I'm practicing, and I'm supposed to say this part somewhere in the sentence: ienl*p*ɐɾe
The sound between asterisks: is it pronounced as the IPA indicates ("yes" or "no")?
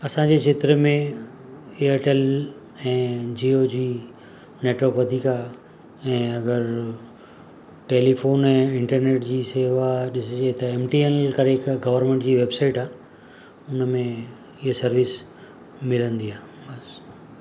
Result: no